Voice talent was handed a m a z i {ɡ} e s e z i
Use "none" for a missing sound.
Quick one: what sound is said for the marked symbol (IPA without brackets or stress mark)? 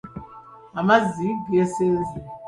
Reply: ɡ